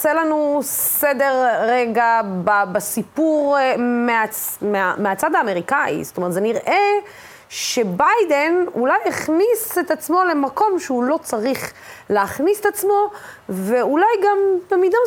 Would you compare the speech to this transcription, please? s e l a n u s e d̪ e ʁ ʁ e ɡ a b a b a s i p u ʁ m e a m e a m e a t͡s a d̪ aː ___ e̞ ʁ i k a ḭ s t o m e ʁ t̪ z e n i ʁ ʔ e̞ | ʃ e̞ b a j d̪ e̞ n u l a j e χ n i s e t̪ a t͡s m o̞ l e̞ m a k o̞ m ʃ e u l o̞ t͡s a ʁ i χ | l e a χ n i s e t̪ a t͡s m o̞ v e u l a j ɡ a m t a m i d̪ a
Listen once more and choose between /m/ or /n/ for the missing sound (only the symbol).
m